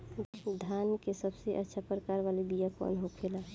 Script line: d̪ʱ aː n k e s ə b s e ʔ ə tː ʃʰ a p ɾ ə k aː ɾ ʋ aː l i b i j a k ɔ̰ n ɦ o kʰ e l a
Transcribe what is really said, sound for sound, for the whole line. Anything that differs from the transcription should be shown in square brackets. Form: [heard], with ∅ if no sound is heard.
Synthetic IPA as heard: d̪ʱ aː n k e s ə b s e ʔ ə tː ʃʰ a p ɾ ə k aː ɾ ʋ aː l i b i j a k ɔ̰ n ɦ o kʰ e l a